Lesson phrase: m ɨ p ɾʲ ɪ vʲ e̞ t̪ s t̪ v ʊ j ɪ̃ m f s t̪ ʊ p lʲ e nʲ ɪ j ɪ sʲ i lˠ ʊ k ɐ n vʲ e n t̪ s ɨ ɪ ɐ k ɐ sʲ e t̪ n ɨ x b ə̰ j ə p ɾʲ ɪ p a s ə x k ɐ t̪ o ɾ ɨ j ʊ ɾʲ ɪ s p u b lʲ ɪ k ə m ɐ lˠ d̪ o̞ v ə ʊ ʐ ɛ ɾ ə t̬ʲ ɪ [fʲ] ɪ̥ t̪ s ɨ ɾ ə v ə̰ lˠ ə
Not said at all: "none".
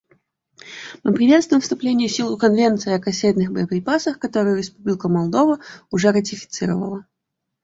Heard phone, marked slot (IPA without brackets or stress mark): fʲ